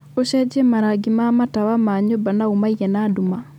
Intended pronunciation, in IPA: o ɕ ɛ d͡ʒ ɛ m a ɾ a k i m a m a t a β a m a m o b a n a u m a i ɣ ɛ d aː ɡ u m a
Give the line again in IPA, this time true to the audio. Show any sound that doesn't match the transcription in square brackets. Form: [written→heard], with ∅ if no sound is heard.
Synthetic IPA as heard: o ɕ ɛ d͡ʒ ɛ m a ɾ a [k→ɡ] i m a m a t a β a m a [m→ɲ] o b a n a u m a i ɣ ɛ [d→n] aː [ɡ→d] u m a